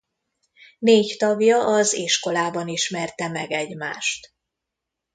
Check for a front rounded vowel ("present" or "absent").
absent